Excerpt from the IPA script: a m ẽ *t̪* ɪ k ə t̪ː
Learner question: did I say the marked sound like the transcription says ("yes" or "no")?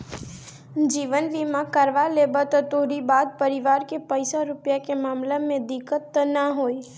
no